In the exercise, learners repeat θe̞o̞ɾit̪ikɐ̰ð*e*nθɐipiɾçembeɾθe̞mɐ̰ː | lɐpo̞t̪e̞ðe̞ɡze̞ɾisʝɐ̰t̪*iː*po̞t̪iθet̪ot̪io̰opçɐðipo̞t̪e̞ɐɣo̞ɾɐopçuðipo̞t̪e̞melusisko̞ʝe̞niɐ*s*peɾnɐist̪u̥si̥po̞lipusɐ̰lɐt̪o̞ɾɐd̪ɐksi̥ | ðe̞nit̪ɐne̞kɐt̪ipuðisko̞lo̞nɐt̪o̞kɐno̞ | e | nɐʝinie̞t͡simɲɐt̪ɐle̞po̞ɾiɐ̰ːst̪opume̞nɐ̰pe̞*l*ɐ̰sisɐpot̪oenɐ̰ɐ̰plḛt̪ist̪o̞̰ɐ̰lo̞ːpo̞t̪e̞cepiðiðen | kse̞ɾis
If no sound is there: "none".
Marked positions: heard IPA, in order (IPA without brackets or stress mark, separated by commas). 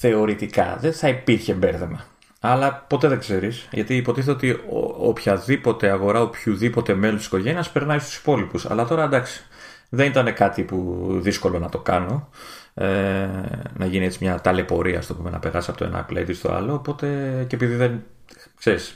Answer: e, iː, s, ɾ